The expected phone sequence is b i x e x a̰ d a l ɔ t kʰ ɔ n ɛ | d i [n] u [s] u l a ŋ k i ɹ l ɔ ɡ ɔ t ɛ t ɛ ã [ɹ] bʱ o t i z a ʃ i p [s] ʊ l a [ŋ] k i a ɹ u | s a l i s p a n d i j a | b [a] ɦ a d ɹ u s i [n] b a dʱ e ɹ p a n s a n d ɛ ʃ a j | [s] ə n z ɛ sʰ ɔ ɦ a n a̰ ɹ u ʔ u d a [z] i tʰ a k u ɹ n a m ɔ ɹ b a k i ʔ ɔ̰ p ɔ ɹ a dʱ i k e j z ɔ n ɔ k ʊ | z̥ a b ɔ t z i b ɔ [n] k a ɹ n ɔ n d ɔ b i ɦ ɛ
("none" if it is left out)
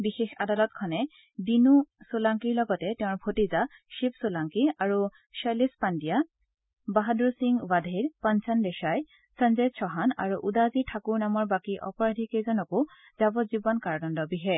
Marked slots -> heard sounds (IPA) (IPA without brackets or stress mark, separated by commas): n, s, ɹ, s, ŋ, a, ŋ, s, z, n